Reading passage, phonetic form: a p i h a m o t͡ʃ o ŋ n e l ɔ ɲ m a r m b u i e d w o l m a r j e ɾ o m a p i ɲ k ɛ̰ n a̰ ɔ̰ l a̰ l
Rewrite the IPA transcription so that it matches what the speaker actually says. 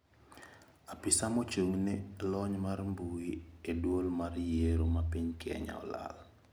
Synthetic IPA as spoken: a p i s a m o t͡ʃ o ŋ n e l ɔ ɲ m a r m b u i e d w o l m a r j e ɾ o m a p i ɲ k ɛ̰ ɲ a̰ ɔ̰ l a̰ l